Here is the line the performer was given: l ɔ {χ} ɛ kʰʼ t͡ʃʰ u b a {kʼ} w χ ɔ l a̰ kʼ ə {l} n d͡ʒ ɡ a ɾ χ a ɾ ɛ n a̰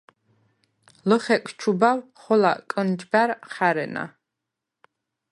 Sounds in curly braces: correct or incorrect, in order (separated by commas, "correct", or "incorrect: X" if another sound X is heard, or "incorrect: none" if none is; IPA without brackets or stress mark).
correct, incorrect: none, incorrect: none